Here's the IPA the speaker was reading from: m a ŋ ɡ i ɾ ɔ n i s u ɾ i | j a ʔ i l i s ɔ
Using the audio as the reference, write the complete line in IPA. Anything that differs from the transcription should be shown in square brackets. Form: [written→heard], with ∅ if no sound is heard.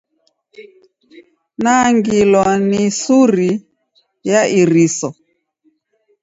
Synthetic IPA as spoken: [m→n] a ŋ ɡ i [ɾ→l] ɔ n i s u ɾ i | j a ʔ i [l→ɾ] i s ɔ

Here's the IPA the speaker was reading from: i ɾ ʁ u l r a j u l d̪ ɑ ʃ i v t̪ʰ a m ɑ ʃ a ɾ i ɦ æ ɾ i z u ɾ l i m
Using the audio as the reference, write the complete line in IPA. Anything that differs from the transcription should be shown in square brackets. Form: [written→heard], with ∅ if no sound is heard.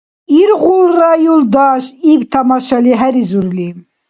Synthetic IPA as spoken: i ɾ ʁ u l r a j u l d̪ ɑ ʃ i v t̪ʰ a m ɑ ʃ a [ɾ→l] i ɦ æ ɾ i z u ɾ l i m

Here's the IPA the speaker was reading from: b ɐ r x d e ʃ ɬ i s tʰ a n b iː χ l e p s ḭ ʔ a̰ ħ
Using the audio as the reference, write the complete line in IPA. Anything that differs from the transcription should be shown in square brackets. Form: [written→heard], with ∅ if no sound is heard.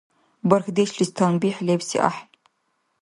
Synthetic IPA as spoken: b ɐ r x d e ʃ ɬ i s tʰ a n b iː [χ→ħ] l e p s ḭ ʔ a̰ ħ

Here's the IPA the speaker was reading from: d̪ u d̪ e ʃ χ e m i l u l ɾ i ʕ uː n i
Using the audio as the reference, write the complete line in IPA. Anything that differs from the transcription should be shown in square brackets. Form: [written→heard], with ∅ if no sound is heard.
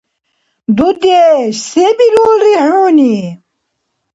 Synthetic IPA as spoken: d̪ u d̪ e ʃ [χ→s] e [m→b] i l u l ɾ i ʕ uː n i

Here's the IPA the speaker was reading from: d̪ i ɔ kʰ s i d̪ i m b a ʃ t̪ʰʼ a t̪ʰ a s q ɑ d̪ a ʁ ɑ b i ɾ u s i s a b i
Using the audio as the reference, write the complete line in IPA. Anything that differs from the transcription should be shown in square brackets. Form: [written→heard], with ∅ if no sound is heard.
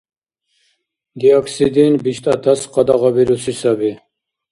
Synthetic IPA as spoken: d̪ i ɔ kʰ s i d̪ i [m→n] b [a→i] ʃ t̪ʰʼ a t̪ʰ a s q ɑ d̪ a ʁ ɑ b i ɾ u s i s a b i

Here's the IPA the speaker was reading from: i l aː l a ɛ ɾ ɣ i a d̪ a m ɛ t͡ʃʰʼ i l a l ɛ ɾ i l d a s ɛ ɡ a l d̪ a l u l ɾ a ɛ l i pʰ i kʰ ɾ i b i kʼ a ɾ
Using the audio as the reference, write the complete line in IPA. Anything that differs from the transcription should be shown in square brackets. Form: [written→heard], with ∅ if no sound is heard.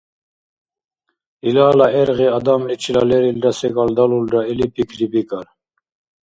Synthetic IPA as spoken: i l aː l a ɛ ɾ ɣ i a d̪ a m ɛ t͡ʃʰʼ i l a l ɛ ɾ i l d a s ɛ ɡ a l d̪ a l u l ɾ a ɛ l i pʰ i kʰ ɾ i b i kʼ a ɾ

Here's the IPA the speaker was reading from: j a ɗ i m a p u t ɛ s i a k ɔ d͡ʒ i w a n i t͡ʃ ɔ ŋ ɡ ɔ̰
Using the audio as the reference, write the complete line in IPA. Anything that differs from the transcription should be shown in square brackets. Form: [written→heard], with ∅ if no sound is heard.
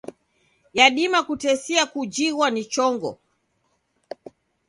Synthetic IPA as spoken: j a ɗ i m a [p→k] u t ɛ s i a k [ɔ→u] d͡ʒ i w a n i t͡ʃ ɔ ŋ ɡ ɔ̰

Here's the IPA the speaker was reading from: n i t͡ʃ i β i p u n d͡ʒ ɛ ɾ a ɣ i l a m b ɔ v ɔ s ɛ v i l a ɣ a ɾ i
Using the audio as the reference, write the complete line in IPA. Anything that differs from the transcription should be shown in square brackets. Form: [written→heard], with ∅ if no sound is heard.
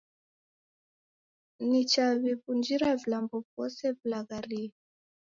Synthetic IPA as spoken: n i t͡ʃ [i→a] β i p u n d͡ʒ [ɛ→i] ɾ a [ɣ→v] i l a m b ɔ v ɔ s ɛ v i l a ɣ a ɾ i

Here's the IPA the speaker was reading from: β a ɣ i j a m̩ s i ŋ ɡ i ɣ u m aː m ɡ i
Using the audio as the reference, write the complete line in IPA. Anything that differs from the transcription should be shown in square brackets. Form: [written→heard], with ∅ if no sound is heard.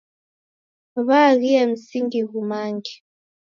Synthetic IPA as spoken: β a ɣ i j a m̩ s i ŋ ɡ i ɣ u m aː [m→ŋ] ɡ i

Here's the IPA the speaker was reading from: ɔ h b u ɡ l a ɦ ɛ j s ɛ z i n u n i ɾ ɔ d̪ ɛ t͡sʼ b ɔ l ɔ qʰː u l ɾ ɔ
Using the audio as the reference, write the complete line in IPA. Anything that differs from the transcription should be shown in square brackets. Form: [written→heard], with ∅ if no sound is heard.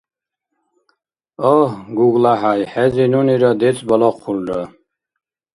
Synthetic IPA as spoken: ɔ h [b→ɡ] u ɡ l a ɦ [ɛ→a] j [s→ħ] ɛ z i n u n i ɾ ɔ d̪ ɛ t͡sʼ b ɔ l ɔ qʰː u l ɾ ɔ

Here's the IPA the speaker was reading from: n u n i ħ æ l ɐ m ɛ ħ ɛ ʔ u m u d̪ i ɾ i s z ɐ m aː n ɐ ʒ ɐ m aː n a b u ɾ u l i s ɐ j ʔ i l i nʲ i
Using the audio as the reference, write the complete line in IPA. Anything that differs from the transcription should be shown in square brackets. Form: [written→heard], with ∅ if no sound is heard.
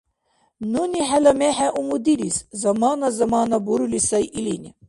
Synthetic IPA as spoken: n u n i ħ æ l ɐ m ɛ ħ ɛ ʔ u m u d̪ i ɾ i s z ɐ m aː n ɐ [ʒ→z] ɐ m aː n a b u ɾ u l i s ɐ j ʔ i l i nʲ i

